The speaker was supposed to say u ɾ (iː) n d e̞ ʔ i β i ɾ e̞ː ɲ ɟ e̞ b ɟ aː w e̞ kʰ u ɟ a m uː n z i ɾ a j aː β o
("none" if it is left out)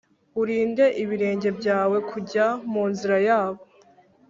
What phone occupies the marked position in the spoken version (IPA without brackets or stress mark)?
iː